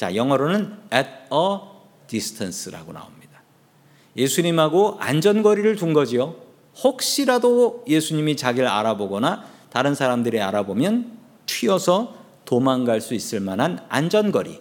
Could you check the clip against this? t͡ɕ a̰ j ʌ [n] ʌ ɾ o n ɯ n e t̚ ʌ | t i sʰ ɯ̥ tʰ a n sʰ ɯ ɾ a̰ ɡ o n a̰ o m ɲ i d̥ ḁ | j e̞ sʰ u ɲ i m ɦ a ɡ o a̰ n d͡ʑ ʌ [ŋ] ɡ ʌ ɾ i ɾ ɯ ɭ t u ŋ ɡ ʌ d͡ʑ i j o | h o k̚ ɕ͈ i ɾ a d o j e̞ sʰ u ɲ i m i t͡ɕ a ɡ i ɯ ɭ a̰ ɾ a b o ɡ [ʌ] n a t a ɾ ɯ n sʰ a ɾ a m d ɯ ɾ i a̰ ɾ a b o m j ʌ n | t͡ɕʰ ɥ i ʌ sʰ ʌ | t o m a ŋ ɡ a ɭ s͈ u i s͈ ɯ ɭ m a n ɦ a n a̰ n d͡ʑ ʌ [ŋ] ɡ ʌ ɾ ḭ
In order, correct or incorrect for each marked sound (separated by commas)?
incorrect, incorrect, correct, incorrect